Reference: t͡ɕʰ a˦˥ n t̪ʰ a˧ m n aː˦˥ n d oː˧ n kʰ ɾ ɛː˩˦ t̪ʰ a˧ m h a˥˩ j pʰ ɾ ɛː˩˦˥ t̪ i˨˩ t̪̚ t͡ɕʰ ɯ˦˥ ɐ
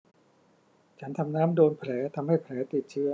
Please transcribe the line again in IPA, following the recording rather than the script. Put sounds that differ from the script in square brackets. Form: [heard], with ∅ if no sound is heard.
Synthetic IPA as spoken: t͡ɕʰ a˦˥ n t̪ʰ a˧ m n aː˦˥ [m] d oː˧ n [pʰ] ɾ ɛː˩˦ t̪ʰ a˧ m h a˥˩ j pʰ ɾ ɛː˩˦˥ t̪ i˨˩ t̪̚ t͡ɕʰ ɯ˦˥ ɐ